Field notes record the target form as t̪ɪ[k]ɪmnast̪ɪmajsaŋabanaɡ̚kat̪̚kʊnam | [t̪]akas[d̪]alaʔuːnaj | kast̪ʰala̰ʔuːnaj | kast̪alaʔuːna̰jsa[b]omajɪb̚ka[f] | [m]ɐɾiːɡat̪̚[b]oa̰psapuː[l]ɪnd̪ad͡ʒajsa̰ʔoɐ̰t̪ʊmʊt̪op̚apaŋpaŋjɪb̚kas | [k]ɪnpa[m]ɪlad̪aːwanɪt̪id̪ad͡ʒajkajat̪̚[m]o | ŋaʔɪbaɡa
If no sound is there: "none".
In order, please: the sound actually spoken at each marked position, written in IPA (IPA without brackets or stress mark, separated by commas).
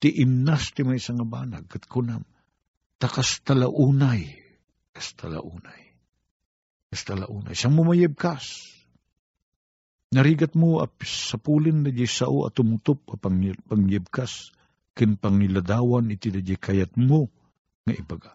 ʔ, t̪, t̪, m, s, n, m, l, k, ŋ, m